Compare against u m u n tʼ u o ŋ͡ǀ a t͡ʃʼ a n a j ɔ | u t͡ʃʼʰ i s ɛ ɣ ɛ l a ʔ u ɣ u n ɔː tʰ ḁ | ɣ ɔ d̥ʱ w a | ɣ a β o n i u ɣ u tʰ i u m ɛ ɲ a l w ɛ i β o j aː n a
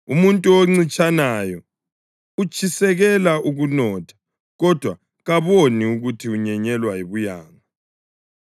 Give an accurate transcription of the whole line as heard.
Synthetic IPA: u m u n tʼ u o ŋ͡ǀ i t͡ʃʼ a n a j ɔ | u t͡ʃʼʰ i s ɛ ɣ ɛ l a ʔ u ɣ u n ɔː tʰ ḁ | ɣ ɔ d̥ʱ w a | ɣ a β o n i u ɣ u tʰ i u ɲ ɛ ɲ ɛ l w a i β u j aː ŋ a